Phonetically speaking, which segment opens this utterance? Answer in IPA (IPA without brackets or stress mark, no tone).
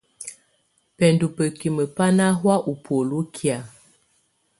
p